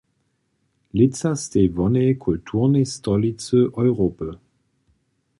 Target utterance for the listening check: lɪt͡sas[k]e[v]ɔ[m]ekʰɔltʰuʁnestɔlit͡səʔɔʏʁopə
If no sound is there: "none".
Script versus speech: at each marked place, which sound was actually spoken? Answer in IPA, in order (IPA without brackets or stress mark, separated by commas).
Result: t, v, n